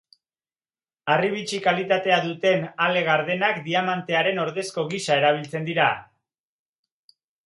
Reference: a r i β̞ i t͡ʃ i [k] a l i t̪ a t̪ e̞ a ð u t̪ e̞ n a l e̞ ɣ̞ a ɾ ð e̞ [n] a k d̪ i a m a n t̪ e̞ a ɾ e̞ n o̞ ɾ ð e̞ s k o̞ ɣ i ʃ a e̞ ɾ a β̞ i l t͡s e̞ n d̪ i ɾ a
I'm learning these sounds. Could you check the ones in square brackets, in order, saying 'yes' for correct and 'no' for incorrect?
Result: yes, yes

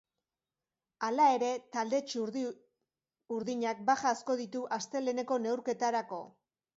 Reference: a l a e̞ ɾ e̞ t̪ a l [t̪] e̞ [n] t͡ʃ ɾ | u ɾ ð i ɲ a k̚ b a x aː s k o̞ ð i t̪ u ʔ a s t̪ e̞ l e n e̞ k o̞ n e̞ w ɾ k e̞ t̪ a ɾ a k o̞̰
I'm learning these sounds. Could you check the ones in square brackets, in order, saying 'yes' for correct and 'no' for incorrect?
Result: no, no

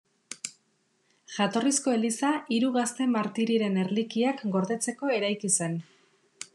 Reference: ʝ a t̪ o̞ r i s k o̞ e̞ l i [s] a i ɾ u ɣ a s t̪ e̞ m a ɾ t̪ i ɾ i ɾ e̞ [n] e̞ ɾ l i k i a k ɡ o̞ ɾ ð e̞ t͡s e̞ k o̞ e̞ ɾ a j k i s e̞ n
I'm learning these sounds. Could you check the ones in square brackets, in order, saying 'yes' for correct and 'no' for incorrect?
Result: yes, yes

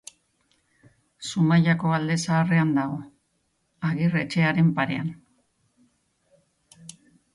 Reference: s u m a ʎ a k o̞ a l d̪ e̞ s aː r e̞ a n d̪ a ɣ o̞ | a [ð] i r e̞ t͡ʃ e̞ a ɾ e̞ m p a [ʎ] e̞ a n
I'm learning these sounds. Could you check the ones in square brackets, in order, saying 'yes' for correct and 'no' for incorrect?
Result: no, no

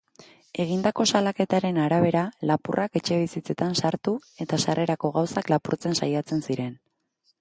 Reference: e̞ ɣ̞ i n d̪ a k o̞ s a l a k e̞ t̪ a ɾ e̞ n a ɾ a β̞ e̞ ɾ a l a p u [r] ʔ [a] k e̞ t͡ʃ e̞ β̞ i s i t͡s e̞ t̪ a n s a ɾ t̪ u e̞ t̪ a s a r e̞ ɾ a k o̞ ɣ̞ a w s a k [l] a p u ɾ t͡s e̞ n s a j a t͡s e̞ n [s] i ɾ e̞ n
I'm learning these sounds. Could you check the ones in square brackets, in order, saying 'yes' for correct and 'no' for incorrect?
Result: yes, yes, yes, yes

